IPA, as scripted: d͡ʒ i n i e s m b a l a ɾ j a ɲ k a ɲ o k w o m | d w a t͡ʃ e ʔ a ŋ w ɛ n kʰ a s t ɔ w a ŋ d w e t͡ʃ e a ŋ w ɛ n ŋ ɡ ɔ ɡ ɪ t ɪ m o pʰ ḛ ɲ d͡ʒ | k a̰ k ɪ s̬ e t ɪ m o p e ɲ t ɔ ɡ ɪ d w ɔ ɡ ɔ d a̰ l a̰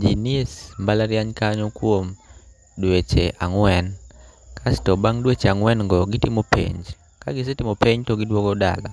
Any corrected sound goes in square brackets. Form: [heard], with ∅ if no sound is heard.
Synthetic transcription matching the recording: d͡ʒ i n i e s m b a l a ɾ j a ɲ k a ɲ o k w o m | d w [e] t͡ʃ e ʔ a ŋ w ɛ n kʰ a s t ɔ [b] a ŋ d w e t͡ʃ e a ŋ w ɛ n ŋ ɡ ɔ ɡ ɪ t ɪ m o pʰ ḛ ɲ d͡ʒ | k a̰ [ɡ] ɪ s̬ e t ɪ m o p e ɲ t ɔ ɡ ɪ d w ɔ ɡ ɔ d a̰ l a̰